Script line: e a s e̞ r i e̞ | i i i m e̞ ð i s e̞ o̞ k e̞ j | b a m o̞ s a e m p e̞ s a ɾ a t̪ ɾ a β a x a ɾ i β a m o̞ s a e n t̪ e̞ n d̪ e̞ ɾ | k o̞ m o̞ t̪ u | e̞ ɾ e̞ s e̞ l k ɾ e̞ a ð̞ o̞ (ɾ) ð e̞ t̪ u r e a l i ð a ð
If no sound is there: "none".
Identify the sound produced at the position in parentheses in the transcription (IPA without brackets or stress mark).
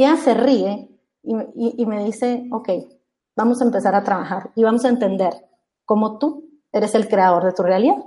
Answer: ɾ